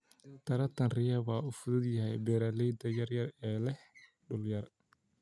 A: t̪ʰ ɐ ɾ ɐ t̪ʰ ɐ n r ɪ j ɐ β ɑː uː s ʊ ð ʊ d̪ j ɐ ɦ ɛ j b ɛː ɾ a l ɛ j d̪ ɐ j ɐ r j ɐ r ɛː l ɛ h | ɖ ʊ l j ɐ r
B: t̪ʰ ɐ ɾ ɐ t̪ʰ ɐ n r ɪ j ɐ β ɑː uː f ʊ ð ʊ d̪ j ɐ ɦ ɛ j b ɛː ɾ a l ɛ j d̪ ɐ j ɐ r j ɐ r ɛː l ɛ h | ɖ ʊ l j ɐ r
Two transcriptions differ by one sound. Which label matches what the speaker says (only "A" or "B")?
B